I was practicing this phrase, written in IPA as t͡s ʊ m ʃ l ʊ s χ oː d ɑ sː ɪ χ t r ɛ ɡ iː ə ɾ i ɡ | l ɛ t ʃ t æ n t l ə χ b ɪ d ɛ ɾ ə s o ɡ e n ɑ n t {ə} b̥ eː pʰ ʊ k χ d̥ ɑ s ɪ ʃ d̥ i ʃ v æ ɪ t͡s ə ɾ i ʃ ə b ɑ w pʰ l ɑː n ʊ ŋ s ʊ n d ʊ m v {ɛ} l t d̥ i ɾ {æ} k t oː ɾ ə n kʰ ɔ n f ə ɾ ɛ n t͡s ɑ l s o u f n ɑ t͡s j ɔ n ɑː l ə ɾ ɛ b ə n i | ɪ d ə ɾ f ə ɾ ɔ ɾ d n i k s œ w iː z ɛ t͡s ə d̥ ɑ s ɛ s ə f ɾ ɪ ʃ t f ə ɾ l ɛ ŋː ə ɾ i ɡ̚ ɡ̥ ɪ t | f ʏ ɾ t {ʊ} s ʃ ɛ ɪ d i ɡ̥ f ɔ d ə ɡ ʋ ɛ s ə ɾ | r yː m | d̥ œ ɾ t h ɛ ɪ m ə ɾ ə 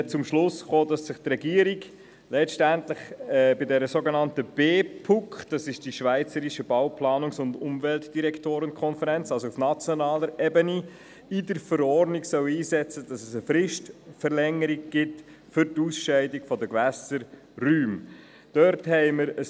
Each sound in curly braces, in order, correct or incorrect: correct, correct, incorrect: ɛ, incorrect: u

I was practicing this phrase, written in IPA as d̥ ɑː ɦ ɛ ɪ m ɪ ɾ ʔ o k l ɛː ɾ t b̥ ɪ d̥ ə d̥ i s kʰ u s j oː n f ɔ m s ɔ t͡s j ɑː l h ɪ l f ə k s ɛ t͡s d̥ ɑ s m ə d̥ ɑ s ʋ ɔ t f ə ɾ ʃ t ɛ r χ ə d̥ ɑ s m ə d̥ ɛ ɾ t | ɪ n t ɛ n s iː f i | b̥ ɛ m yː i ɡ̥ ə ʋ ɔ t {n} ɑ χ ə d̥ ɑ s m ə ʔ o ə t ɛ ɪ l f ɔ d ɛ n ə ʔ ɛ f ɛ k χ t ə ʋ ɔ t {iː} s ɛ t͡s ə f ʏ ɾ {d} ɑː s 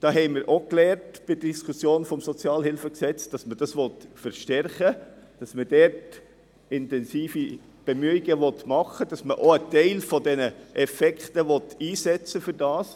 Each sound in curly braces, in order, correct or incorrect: incorrect: m, correct, correct

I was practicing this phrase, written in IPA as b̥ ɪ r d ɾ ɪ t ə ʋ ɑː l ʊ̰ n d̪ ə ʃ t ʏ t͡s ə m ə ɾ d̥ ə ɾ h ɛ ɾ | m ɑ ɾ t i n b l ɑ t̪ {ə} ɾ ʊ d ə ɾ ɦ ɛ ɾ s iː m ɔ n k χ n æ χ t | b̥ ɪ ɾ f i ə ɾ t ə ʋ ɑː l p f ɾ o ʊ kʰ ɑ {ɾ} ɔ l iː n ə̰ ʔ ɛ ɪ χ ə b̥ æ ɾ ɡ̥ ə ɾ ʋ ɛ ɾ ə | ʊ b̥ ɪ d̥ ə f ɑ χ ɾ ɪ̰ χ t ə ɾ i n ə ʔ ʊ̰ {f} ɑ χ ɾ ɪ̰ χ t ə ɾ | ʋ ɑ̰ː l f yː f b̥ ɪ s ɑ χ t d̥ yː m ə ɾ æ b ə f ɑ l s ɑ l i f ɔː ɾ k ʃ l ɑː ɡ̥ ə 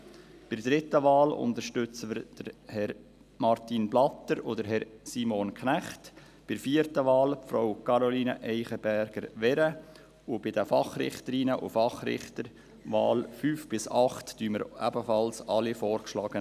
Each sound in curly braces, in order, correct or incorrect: correct, correct, correct

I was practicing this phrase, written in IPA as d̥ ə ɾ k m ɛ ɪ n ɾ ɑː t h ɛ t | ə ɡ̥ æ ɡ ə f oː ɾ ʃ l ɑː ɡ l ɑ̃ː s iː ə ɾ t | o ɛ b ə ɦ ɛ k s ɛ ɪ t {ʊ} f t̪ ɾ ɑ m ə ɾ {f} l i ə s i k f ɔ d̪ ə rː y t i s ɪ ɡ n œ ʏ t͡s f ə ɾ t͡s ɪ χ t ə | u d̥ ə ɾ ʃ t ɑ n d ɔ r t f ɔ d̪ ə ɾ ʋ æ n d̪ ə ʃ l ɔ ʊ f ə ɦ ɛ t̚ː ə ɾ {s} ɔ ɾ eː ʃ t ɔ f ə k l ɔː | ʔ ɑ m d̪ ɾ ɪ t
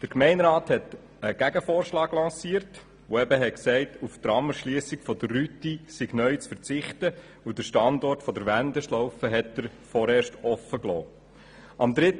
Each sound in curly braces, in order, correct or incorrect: incorrect: u, incorrect: ʃ, incorrect: f

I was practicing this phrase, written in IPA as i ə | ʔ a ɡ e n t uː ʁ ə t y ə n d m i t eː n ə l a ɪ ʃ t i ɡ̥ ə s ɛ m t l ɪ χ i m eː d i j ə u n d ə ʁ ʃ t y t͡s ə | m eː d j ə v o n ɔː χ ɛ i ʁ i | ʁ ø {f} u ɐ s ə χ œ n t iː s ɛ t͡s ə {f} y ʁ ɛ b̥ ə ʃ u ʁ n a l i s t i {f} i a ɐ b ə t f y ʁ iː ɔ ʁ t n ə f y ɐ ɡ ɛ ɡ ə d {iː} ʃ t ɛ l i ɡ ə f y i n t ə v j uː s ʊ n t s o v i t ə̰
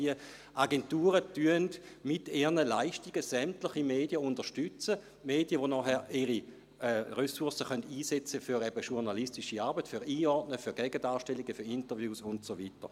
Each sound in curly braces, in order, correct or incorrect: incorrect: s, correct, incorrect: ʃ, incorrect: aː

